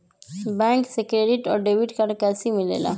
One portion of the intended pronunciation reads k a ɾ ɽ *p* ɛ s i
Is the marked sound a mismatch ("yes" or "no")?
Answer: yes